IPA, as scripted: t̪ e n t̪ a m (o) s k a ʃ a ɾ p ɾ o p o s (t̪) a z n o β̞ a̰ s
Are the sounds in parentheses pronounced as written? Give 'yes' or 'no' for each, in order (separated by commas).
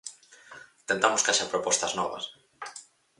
yes, yes